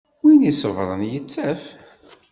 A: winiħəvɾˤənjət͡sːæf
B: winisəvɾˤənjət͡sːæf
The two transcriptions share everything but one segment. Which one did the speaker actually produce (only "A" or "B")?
B